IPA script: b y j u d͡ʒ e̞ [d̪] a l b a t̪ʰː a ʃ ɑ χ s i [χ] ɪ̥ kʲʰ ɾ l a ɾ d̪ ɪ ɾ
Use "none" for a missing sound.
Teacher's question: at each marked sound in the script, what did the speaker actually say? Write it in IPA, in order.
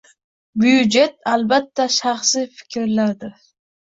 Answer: t̪, f

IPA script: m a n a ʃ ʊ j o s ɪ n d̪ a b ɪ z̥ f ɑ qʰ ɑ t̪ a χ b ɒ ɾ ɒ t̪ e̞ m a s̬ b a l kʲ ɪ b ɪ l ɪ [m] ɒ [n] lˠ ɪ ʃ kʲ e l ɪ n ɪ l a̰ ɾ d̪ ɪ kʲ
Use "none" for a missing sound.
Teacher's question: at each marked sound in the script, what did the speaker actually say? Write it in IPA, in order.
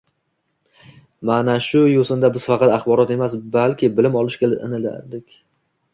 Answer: m, none

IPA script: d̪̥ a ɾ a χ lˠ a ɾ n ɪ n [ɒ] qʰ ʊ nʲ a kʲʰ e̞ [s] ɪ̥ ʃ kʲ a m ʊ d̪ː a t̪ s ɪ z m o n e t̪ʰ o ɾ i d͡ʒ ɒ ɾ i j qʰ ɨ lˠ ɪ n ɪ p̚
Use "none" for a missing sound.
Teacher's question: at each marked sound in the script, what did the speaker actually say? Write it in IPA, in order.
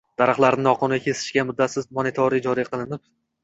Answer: ɒ, s

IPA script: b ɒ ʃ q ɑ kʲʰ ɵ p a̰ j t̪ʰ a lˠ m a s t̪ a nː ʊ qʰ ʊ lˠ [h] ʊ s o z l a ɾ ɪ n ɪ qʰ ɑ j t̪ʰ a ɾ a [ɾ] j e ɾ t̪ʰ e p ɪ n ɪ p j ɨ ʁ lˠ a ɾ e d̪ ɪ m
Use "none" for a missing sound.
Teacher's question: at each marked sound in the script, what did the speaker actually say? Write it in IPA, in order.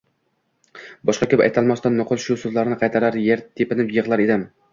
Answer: ʃ, ɾ

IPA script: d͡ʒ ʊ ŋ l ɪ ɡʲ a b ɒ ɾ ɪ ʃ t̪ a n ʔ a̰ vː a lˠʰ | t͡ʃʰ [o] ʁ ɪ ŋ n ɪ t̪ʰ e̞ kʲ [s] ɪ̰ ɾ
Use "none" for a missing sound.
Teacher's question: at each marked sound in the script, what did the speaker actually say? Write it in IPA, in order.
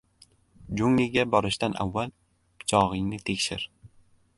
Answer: ɒ, ʃ

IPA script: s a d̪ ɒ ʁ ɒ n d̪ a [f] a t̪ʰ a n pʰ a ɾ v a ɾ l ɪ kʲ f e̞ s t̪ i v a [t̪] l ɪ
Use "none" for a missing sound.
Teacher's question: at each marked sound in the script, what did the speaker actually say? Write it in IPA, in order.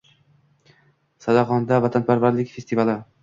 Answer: v, none

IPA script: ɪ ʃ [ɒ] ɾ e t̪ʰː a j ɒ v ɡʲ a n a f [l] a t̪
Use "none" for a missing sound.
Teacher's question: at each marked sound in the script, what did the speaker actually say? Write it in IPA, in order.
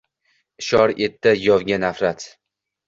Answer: ɒ, ɾ

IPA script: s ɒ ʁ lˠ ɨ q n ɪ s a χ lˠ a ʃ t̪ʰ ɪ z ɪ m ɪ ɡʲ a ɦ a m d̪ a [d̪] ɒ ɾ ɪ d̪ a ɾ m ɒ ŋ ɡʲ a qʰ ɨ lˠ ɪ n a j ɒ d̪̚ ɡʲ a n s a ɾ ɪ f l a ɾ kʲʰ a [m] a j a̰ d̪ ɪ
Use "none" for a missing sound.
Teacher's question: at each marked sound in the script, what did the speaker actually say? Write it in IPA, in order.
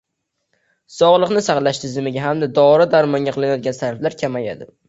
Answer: d̪, m

